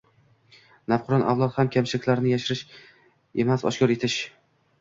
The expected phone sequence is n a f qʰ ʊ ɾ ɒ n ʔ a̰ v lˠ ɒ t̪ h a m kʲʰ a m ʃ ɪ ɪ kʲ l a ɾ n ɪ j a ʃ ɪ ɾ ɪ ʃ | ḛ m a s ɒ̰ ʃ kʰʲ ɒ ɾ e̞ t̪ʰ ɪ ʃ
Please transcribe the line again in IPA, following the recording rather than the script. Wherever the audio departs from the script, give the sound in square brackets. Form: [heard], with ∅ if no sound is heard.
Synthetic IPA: n a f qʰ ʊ ɾ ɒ n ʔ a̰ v lˠ ɒ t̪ h a m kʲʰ a m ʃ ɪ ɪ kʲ l a ɾ n ɪ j a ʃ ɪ ɾ ɪ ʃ | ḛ m a s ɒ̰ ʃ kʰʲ ɒ ɾ e̞ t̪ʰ ɪ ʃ